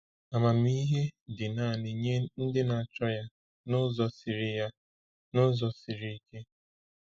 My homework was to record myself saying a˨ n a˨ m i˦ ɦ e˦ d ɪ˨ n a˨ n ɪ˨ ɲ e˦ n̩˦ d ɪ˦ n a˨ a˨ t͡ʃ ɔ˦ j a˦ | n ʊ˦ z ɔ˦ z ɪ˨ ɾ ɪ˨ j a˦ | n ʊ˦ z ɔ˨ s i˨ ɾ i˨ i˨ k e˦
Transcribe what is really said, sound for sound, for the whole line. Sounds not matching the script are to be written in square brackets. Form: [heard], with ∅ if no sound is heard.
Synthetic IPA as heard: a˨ [m] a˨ m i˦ ɦ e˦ d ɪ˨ n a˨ n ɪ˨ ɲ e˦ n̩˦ d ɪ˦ n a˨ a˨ t͡ʃ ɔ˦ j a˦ | n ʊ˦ z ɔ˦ [s] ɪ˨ ɾ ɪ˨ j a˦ | n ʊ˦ z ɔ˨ s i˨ ɾ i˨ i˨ k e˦